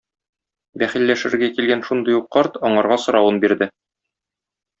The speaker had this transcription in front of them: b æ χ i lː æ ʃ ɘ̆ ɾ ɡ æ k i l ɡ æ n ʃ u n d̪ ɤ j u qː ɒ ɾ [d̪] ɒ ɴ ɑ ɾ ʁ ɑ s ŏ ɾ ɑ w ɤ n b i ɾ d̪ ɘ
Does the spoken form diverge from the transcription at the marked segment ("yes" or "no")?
yes